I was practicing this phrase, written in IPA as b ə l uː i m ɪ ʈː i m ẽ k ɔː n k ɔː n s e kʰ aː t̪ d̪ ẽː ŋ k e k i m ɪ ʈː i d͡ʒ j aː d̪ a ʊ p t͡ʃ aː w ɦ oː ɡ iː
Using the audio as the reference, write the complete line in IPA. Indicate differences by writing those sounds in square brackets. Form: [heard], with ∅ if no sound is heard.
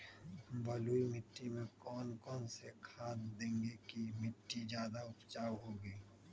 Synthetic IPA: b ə l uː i m ɪ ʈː i m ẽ k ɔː n k ɔː n s e kʰ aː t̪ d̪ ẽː ŋ [ɡ] e k i m ɪ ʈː i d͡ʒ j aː d̪ a ʊ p t͡ʃ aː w ɦ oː ɡ iː

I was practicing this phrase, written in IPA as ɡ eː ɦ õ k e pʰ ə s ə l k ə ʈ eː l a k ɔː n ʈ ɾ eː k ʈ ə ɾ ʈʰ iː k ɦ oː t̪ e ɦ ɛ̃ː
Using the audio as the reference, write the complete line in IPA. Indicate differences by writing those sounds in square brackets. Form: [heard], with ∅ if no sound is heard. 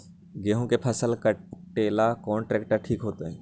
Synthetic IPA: ɡ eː ɦ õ k e pʰ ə s ə l k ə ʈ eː l a k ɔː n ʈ ɾ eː k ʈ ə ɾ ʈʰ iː k ɦ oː t̪ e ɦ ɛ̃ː

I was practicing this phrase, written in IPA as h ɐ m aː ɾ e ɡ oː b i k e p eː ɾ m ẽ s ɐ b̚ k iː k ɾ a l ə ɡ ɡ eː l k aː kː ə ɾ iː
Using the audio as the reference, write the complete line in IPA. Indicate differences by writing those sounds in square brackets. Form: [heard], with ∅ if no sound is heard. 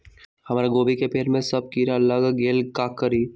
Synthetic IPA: h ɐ m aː ɾ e ɡ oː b i k e p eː ɾ m ẽ s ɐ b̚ k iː [∅] ɾ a l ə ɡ ɡ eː l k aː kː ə ɾ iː

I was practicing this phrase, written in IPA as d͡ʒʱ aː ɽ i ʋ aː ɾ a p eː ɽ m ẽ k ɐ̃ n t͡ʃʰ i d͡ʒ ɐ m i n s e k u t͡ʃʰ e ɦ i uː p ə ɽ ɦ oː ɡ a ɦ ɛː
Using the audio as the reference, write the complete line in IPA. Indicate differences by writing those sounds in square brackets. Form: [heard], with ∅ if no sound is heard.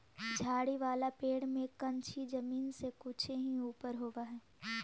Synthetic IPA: d͡ʒʱ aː ɽ i ʋ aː [l] a p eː ɽ m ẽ k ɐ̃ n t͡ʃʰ i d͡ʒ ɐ m [iː] n s e k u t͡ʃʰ e ɦ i uː p ə [ɾ] ɦ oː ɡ a ɦ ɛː

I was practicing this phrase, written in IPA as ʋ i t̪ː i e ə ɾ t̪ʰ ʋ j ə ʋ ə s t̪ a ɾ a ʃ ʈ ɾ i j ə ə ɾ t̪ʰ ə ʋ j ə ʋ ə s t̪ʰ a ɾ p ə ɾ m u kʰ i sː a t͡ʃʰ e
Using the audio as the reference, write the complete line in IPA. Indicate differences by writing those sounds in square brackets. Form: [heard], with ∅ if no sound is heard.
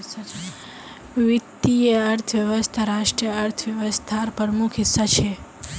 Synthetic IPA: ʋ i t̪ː i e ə ɾ t̪ʰ ʋ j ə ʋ ə s [t̪ʰ] a ɾ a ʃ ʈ ɾ i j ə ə ɾ t̪ʰ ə ʋ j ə ʋ ə s t̪ʰ a ɾ p ə ɾ m u kʰ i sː a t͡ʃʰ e

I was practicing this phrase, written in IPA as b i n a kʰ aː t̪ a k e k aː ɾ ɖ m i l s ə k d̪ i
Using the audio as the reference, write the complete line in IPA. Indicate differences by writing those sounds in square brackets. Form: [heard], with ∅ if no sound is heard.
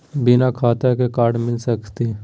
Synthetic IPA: b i n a kʰ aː t̪ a k e k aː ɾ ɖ m [ɪ] l s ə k [t̪] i

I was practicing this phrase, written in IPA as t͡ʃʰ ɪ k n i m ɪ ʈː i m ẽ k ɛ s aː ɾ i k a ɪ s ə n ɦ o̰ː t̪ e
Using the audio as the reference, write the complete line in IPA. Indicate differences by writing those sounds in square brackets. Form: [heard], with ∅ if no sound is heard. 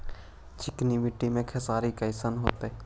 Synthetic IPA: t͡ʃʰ ɪ k n i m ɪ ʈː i m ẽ [kʰ] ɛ s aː ɾ i k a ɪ s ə n ɦ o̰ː t̪ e

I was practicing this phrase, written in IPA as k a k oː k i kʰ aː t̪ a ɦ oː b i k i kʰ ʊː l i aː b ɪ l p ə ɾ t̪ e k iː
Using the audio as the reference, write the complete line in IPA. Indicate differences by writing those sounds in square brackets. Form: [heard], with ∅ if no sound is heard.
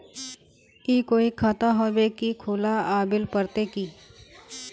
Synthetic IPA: k [i] k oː [∅] i kʰ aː t̪ a ɦ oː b [e] k i kʰ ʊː l [a] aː b ɪ l p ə ɾ t̪ e k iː

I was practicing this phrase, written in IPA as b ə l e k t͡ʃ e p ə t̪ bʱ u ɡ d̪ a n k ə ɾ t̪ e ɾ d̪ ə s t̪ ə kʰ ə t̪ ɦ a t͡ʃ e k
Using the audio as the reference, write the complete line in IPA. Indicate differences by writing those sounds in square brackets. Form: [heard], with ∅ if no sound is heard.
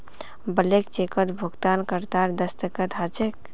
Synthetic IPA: b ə l e k t͡ʃ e [k] ə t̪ bʱ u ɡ [t̪] a n k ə ɾ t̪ [a] ɾ d̪ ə s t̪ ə [k] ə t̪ ɦ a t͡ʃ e k

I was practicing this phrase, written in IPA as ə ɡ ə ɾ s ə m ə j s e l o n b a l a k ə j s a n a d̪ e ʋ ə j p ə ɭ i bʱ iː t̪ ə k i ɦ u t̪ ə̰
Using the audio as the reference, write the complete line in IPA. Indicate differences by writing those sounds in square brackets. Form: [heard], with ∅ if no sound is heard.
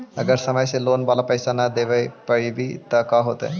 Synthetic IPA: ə ɡ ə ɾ s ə m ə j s e l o n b a l a [p] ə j s a n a d̪ e ʋ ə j p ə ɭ i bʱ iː t̪ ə k [a] ɦ [o] t̪ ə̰

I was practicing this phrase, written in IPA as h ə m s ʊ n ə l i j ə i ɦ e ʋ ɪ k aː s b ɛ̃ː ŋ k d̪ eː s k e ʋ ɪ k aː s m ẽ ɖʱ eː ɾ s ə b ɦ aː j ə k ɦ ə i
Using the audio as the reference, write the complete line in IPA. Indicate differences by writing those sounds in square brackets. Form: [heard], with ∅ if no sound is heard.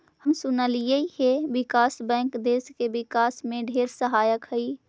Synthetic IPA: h ə m s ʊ n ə l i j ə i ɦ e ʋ ɪ k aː s b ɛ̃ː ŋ k d̪ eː s k e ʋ ɪ k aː s m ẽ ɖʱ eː ɾ s ə [∅] ɦ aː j ə k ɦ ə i

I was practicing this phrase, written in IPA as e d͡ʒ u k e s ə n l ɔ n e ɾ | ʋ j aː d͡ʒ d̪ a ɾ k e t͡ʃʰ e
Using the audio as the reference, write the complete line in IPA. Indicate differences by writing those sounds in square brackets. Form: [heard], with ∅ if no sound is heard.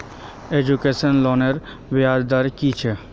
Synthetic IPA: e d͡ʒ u k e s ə n l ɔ n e ɾ | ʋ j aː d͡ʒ d̪ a ɾ k [i] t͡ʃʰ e

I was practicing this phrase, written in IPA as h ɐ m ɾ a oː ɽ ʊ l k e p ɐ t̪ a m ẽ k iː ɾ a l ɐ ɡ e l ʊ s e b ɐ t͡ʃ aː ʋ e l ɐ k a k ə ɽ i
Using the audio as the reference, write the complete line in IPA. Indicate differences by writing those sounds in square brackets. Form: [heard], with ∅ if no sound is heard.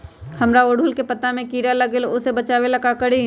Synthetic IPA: h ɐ m ɾ a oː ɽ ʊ l k e p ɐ t̪ a m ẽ k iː ɾ a l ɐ ɡ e l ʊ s e b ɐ t͡ʃ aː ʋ e l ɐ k a k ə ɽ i

